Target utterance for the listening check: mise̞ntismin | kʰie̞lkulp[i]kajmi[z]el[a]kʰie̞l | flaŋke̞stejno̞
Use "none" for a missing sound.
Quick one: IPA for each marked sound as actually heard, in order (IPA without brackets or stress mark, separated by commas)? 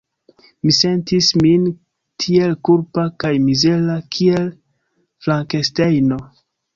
a, z, a